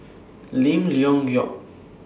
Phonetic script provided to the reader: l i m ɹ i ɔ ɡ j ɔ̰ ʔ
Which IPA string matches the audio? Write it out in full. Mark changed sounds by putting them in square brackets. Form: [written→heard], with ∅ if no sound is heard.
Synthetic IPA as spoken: l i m [ɹ→l] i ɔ [ɡ→ŋ] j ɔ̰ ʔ